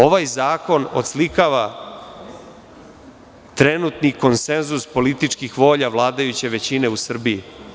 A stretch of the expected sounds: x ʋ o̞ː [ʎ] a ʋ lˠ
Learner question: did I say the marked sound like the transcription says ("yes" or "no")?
yes